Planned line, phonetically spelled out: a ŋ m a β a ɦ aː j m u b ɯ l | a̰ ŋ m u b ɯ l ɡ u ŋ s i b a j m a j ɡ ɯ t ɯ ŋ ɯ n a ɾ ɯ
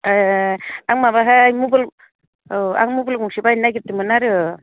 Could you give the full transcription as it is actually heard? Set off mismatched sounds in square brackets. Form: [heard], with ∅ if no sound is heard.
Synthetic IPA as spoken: a ŋ m a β a ɦ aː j m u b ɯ l | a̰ ŋ m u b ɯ l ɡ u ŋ s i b a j [n] a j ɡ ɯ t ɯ [m] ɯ n a ɾ ɯ